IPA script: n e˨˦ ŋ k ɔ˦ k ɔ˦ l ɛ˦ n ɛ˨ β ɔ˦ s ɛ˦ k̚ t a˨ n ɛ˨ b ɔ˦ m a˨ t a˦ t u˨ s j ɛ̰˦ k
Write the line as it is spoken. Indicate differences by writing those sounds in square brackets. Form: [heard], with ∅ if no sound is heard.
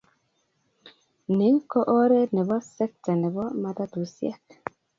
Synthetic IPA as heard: n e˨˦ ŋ k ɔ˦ [ʔ] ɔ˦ [ɾ] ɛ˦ n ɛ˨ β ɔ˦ s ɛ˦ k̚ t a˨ n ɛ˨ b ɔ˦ m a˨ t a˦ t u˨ s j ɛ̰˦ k